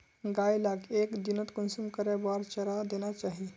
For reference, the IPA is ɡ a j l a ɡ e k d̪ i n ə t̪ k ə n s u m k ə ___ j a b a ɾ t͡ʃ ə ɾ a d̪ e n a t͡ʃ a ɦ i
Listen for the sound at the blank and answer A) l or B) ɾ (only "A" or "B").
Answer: B